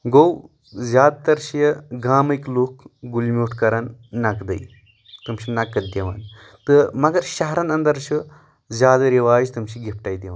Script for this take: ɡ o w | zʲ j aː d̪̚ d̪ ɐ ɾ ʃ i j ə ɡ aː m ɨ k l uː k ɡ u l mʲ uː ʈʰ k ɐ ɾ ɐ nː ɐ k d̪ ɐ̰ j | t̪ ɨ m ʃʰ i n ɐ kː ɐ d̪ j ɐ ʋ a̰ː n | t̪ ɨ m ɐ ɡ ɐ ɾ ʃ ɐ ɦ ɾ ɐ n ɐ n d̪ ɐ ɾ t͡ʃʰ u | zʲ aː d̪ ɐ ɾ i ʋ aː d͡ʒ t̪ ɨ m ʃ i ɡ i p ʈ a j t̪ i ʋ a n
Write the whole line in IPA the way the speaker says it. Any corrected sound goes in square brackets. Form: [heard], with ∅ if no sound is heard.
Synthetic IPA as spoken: ɡ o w | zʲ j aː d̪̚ [t̪] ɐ ɾ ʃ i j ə ɡ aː m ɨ k l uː k ɡ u l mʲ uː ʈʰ k ɐ ɾ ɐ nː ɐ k d̪ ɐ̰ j | t̪ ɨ m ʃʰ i n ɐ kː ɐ d̪ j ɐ ʋ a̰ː n | t̪ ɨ m ɐ ɡ ɐ ɾ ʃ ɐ ɦ ɾ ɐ n ɐ n d̪ ɐ ɾ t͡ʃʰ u | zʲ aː d̪ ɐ ɾ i ʋ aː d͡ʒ t̪ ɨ m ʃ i ɡ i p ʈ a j [d̪] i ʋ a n